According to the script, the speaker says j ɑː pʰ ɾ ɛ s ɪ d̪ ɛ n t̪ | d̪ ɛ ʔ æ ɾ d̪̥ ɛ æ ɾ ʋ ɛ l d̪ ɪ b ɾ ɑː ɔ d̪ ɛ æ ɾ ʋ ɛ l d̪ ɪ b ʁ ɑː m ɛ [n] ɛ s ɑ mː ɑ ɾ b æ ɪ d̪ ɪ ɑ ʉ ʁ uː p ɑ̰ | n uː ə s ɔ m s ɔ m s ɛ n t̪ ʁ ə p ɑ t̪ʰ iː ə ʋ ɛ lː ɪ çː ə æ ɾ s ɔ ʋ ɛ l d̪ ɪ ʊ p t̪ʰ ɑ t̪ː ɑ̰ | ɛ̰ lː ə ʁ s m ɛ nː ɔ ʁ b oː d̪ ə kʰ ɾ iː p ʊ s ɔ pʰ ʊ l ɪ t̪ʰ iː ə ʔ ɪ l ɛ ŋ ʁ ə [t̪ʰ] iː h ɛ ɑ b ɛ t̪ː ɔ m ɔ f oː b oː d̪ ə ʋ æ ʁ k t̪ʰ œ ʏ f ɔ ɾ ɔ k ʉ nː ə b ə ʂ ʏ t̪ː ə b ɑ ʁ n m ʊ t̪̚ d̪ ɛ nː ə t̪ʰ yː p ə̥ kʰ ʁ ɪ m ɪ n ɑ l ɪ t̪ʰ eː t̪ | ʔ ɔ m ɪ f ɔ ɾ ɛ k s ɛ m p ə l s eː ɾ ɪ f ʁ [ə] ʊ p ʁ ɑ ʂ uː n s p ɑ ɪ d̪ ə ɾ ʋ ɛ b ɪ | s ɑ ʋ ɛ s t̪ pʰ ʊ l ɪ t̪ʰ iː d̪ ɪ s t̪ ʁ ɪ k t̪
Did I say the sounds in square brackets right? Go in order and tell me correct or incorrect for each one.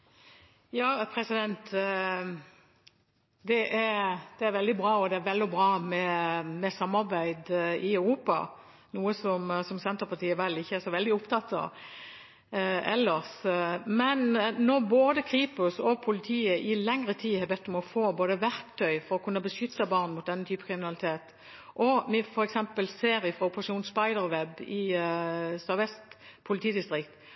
incorrect: m, correct, incorrect: ɑ

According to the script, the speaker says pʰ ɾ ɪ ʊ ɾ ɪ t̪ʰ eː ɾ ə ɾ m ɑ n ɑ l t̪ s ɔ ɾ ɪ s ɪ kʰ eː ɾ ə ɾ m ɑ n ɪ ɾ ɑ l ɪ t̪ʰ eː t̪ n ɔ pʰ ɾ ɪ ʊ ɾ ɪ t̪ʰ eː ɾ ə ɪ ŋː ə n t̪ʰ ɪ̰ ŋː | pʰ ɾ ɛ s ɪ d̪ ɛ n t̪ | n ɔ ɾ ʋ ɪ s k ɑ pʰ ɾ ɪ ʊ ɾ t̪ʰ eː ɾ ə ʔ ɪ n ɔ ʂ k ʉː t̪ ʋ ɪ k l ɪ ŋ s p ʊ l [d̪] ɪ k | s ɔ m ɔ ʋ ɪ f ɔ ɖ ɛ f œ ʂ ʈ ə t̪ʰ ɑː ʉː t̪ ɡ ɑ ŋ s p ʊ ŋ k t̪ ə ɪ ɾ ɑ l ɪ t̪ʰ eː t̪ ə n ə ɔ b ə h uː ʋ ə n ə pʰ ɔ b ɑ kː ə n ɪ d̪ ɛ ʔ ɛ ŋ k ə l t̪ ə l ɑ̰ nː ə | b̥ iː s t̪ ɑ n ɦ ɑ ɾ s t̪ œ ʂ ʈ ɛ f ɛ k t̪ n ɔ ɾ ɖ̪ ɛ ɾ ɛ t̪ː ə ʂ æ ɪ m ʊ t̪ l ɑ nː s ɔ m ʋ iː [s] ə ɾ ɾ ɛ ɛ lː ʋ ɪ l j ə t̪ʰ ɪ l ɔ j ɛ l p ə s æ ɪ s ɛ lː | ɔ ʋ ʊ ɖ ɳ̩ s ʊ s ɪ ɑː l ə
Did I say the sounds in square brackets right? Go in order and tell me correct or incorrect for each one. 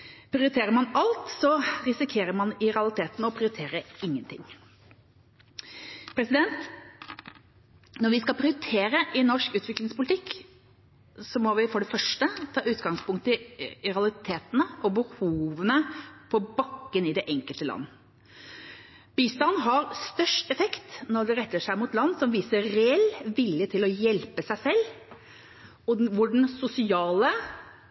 incorrect: t̪, correct

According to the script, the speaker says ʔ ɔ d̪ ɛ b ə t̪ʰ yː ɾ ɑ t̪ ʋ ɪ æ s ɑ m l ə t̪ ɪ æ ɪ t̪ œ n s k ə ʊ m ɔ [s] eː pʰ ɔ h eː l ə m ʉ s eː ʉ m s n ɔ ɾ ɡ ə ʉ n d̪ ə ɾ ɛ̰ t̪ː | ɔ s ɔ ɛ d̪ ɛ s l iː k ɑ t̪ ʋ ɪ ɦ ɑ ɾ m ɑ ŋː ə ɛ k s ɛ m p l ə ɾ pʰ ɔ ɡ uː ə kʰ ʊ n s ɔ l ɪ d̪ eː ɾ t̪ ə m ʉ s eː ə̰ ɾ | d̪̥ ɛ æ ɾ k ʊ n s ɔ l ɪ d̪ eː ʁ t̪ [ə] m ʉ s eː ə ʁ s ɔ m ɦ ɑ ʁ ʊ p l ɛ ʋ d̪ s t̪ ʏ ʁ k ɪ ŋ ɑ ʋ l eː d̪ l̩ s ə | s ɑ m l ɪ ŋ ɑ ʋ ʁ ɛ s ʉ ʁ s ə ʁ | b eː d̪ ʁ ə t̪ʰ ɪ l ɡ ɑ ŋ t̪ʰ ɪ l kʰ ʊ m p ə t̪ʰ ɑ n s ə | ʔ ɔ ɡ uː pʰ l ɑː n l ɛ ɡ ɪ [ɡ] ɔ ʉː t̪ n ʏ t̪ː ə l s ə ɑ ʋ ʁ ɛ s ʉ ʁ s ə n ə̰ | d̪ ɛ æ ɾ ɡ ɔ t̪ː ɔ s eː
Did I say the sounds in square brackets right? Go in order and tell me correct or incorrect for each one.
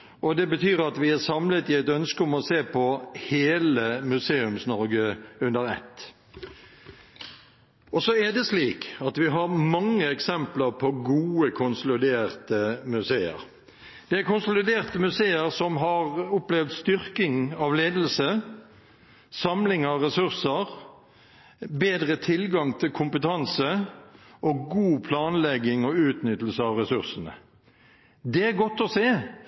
correct, correct, incorrect: ŋ

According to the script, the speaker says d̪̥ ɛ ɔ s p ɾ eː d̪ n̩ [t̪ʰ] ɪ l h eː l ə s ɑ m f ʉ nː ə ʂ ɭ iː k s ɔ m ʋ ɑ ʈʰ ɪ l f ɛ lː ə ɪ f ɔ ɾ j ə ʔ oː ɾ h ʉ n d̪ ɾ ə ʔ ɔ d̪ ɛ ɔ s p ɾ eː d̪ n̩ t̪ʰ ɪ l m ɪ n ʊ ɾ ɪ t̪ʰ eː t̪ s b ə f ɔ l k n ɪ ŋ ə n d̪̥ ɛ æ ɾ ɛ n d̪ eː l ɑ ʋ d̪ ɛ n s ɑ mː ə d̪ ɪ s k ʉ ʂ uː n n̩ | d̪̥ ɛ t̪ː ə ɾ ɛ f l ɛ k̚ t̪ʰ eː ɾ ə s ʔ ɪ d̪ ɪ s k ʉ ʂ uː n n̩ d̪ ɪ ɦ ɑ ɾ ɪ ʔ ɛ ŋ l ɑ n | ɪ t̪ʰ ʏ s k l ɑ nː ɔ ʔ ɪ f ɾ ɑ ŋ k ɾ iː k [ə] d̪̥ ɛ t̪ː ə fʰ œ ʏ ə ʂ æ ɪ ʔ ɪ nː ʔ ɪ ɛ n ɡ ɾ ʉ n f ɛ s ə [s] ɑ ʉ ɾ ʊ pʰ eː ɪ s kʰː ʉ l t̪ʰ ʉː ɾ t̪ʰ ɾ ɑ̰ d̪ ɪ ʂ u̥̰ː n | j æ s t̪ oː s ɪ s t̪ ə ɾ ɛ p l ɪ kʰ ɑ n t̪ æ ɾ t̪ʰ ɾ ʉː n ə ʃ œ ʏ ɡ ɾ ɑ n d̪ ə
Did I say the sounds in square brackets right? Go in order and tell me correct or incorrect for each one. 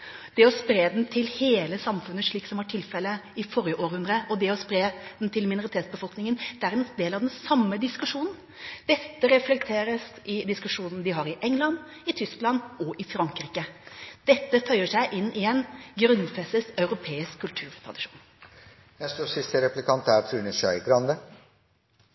correct, correct, correct

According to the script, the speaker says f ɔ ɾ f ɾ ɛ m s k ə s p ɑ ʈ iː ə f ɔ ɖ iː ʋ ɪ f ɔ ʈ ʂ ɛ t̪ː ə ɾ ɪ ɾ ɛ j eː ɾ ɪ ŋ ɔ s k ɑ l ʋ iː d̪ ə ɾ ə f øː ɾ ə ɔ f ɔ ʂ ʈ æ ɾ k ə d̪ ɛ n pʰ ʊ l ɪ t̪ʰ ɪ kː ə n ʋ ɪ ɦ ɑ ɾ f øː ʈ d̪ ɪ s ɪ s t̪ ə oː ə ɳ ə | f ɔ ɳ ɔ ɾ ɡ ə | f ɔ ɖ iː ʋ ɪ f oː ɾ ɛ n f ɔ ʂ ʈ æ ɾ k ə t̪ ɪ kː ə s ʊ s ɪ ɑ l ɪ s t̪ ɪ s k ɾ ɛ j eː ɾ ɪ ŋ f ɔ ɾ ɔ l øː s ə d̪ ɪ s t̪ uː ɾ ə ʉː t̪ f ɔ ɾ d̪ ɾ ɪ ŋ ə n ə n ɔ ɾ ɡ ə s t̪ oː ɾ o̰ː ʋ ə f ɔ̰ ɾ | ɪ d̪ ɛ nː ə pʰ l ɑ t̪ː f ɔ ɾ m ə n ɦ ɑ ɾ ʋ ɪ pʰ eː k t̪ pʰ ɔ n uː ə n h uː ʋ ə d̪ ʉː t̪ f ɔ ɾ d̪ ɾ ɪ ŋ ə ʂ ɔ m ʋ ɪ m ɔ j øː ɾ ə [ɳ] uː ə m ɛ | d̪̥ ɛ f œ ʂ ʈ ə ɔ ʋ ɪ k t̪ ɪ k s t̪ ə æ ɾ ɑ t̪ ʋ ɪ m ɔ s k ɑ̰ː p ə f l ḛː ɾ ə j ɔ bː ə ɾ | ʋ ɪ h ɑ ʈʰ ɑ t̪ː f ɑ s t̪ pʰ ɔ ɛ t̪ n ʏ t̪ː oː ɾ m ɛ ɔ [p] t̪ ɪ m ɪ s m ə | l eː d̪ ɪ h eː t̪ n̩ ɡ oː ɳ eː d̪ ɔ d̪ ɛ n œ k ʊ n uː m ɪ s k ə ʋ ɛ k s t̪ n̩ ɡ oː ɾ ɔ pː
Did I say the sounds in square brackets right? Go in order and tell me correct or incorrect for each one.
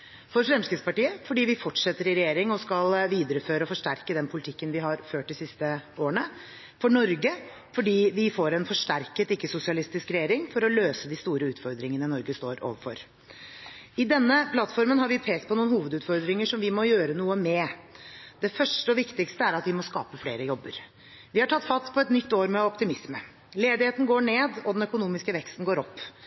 incorrect: n, correct

